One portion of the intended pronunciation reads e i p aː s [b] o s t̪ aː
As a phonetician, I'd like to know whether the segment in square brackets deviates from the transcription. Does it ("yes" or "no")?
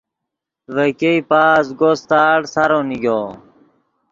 yes